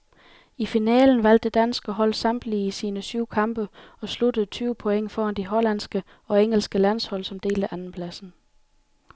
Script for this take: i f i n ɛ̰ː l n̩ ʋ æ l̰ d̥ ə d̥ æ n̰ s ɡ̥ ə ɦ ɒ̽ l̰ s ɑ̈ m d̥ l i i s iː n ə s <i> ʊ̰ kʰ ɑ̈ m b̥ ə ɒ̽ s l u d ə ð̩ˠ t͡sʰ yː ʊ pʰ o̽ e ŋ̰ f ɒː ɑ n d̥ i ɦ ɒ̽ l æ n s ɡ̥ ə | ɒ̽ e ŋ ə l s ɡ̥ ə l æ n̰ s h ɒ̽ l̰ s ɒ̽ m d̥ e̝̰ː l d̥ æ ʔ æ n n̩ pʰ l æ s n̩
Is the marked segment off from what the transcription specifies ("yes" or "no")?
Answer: yes